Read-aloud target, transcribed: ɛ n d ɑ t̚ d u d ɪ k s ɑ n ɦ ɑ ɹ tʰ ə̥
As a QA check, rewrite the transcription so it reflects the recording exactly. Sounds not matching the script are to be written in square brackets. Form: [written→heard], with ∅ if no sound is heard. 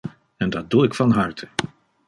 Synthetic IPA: ɛ n d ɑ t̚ d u [d→∅] ɪ k [s→f] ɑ n ɦ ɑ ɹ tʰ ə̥

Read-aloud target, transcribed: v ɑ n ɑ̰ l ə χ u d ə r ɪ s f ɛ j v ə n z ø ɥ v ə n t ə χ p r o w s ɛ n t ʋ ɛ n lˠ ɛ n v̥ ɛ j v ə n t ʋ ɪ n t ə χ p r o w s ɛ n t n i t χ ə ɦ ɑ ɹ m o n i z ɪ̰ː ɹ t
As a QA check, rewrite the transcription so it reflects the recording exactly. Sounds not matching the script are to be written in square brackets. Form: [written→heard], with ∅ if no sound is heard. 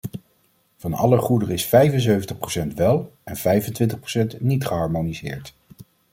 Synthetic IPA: v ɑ n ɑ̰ l ə χ u d ə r ɪ s f ɛ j v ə n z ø ɥ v ə n t ə χ p r o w s ɛ n t ʋ ɛ [n→∅] lˠ ɛ n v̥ ɛ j v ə n t ʋ ɪ n t ə χ p r o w s ɛ n t n i t χ ə ɦ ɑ ɹ m o n i z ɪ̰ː ɹ t

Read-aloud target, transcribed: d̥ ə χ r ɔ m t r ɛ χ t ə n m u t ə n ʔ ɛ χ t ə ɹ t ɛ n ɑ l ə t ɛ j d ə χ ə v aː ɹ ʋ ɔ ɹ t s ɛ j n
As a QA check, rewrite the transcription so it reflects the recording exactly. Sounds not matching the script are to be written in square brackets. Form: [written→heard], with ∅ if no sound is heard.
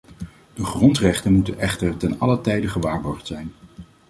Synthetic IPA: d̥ ə χ r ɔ [m→n] t r ɛ χ t ə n m u t ə n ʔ ɛ χ t ə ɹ t ɛ n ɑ l ə t ɛ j d ə χ ə [v→ʋ] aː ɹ ʋ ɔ ɹ t s ɛ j n

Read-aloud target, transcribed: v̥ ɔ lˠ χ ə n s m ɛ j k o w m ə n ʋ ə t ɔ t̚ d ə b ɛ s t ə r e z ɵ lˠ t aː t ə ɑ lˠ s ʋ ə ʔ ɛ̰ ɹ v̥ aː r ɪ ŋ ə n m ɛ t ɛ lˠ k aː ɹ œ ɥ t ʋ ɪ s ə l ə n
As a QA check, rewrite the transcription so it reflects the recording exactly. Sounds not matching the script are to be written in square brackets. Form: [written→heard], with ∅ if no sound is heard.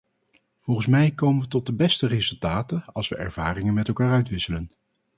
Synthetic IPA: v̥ ɔ lˠ χ ə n s m ɛ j k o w m ə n ʋ ə t ɔ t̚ d ə b ɛ s t ə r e z ɵ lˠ t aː t ə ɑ lˠ s ʋ ə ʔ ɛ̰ ɹ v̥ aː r ɪ ŋ ə n m ɛ t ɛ lˠ k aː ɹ œ ɥ t ʋ ɪ s ə l ə n

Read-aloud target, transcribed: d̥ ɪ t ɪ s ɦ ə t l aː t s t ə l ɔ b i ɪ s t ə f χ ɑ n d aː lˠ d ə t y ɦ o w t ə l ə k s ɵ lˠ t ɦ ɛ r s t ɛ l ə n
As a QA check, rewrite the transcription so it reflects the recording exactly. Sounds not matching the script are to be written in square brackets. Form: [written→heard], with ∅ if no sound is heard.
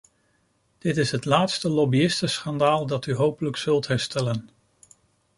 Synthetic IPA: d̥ ɪ t ɪ s ɦ ə t l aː t s t ə l ɔ b i ɪ s t ə [f→s] χ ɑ n d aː lˠ d [ə→ɑ] t y ɦ o w [t→p] ə l ə k s ɵ lˠ t ɦ ɛ [r→ɹ] s t ɛ l ə n

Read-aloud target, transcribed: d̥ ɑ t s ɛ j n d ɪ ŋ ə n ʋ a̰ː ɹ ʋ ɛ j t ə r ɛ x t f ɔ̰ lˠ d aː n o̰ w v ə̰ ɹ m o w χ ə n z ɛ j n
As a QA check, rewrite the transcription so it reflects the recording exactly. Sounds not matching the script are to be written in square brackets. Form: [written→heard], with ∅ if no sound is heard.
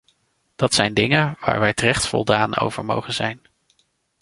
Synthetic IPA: d̥ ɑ t s ɛ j n d ɪ ŋ ə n ʋ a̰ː ɹ ʋ ɛ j t ə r ɛ [x→χ] t f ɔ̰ lˠ d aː n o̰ w v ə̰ ɹ m o w χ ə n z ɛ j n

